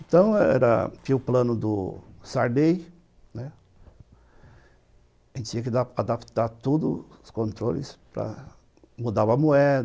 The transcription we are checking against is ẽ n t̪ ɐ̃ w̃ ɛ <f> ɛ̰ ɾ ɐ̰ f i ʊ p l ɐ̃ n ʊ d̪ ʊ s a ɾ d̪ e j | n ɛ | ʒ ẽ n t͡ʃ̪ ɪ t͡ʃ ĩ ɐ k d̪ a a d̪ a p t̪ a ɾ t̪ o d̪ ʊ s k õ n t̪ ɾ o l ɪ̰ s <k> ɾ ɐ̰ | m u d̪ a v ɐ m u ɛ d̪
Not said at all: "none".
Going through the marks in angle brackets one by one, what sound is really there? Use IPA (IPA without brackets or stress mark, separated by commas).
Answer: none, p